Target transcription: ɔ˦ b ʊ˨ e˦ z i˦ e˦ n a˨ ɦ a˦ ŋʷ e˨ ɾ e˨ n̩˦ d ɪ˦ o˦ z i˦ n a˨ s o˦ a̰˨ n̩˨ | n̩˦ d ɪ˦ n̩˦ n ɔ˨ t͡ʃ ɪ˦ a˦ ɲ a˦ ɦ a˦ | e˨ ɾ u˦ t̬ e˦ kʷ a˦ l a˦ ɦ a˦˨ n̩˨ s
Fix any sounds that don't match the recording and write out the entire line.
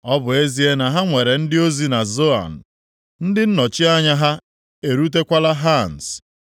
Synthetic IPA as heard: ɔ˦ b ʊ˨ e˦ z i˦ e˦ n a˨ ɦ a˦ ŋʷ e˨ ɾ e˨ n̩˦ d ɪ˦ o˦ z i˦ n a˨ z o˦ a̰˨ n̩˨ | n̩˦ d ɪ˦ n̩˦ n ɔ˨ t͡ʃ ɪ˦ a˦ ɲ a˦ ɦ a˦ | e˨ ɾ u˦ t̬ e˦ kʷ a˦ l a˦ ɦ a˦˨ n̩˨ s